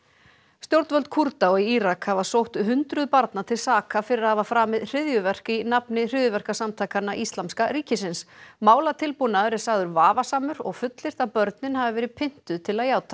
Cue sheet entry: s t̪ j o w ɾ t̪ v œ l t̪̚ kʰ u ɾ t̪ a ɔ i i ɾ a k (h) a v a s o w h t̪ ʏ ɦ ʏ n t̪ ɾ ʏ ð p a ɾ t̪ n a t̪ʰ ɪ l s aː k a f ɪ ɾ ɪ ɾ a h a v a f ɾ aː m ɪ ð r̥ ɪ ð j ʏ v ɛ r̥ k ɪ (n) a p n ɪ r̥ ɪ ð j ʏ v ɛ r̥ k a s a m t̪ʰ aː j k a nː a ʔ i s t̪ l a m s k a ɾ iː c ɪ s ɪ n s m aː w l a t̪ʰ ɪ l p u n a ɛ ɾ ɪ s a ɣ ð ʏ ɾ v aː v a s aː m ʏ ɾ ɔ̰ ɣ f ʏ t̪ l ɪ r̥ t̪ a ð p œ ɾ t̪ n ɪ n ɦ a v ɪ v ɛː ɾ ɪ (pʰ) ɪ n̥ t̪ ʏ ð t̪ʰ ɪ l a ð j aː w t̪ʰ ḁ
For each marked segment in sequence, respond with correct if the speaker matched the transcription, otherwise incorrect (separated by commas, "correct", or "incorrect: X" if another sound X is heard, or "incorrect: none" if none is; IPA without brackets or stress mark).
correct, correct, correct